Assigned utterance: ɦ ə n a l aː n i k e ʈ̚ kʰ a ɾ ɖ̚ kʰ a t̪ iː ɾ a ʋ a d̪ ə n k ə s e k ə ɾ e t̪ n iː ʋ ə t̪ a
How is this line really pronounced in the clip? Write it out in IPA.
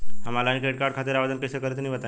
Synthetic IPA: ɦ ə m a l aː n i k e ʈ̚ k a ɾ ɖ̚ kʰ a t̪ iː ɾ a ʋ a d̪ ə n k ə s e k ə ɾ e t̪ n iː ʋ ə t̪ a